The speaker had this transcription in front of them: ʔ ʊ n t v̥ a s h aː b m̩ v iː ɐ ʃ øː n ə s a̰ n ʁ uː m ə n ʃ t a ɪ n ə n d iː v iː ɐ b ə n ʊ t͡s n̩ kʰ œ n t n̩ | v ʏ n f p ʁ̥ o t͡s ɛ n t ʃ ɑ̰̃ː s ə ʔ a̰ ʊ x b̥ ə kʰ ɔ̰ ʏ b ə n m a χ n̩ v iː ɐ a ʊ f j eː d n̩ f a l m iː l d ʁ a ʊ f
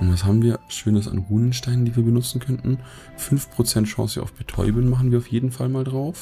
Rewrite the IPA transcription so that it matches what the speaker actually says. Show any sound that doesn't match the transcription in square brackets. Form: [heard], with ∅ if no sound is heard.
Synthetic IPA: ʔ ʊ n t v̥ a s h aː b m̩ v iː ɐ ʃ øː n ə s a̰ n ʁ uː [n] ə n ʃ t a ɪ n ə n d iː v iː ɐ b ə n ʊ t͡s n̩ kʰ œ n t n̩ | [f] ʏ n f p ʁ̥ o t͡s ɛ n t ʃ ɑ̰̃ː s ə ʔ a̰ ʊ [f] b̥ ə [tʰ] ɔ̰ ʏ b ə n m a χ n̩ v iː ɐ a ʊ f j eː d n̩ f a l m [aː] l d ʁ a ʊ f